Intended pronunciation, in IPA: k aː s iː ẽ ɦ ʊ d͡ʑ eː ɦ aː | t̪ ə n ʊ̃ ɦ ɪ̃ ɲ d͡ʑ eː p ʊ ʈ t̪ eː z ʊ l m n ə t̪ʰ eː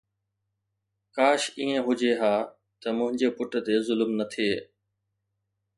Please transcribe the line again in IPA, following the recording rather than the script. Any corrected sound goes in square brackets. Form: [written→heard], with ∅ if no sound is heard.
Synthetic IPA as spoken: k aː [s→ʃ] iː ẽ ɦ ʊ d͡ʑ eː ɦ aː | t̪ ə [n→m] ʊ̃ ɦ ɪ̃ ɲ d͡ʑ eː p ʊ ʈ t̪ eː z ʊ l m n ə t̪ʰ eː